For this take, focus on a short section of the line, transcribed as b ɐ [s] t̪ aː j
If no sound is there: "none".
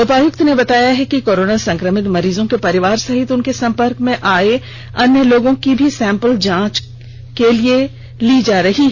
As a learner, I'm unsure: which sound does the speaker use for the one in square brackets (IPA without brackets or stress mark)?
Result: none